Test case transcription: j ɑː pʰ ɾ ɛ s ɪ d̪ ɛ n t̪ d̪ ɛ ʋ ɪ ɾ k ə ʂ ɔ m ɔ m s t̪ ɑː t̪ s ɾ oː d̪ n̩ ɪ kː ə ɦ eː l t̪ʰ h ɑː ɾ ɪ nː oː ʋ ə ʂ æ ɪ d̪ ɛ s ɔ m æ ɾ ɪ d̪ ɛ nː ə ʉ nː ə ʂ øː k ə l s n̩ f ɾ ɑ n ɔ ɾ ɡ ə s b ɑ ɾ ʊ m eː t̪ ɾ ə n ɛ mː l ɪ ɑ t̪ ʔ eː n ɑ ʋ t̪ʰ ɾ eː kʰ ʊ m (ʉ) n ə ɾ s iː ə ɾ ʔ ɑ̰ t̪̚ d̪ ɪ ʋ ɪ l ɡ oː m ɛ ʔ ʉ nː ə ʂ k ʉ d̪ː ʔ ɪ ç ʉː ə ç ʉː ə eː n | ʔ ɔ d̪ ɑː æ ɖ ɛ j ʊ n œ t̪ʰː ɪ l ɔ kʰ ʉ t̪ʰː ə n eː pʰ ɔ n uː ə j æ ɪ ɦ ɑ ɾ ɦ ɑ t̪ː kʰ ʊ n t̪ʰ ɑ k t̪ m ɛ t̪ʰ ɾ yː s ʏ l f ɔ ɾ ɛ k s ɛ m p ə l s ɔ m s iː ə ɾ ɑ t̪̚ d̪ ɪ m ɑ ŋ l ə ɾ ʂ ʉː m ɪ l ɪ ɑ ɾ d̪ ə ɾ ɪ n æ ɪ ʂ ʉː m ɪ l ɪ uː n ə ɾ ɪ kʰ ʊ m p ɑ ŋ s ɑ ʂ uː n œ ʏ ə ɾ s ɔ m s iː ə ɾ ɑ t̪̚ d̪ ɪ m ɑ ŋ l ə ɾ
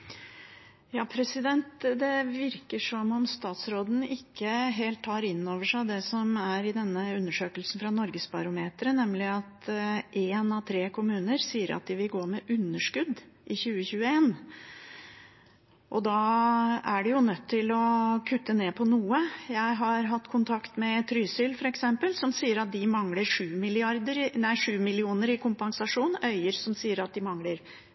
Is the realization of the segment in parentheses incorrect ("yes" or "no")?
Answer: yes